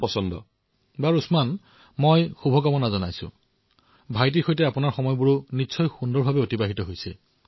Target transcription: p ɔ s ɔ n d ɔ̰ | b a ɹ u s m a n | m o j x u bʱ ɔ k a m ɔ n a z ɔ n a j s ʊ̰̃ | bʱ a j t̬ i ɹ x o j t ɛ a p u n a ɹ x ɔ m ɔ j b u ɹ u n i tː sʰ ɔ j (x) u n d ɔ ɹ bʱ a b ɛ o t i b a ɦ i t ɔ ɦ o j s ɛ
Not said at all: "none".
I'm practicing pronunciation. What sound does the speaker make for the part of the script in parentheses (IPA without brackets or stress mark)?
x